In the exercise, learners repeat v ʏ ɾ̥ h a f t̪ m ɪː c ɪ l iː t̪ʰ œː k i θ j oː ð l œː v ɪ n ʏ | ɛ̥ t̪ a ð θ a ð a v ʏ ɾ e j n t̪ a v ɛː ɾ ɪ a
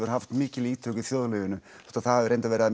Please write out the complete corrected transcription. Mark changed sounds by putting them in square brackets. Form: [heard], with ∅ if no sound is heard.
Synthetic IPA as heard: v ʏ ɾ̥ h a f t̪ m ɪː c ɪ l iː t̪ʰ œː k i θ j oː ð l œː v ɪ n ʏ | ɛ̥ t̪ a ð θ a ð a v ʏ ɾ e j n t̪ a v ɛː ɾ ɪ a